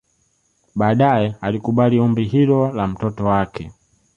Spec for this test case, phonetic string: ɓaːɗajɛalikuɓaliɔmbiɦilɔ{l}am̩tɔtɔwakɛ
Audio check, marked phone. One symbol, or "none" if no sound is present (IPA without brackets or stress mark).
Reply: l